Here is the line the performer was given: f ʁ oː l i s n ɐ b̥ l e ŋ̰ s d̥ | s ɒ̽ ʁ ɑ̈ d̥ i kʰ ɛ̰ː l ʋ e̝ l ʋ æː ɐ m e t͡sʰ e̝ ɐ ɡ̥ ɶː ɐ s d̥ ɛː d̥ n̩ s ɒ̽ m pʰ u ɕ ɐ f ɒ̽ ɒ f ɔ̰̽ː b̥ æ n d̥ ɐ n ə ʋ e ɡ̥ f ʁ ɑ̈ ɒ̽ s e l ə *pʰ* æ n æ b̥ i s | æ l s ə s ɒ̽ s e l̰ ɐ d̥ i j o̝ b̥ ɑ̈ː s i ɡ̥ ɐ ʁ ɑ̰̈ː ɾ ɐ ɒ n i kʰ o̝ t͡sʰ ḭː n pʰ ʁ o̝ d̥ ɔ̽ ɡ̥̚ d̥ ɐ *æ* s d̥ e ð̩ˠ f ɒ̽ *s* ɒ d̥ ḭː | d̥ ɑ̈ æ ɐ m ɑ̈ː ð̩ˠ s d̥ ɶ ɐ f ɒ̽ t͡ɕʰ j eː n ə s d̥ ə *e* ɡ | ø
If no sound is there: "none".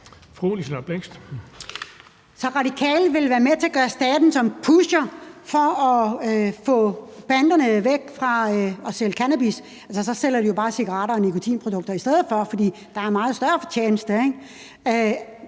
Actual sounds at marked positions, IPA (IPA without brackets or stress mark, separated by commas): kʰ, i, f, e